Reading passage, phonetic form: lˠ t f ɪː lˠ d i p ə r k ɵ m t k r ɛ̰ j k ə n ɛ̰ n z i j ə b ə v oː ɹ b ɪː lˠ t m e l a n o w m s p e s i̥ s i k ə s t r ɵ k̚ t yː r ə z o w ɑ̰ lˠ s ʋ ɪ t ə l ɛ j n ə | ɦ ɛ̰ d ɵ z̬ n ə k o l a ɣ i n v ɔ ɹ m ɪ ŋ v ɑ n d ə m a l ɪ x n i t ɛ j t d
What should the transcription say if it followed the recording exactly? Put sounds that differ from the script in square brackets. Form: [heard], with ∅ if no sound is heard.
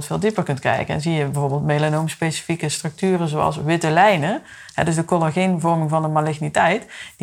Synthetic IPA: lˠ t f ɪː lˠ d i p ə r k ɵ [n] t k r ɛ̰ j k ə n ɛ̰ n z i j ə b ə v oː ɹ b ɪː lˠ t m e l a n o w m s p e s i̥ [f] i k ə s t r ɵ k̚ t yː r ə z o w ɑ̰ lˠ s ʋ ɪ t ə l ɛ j n ə | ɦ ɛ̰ d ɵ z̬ [d] ə k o l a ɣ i n v ɔ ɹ m ɪ ŋ v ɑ n d ə m a l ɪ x n i t ɛ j t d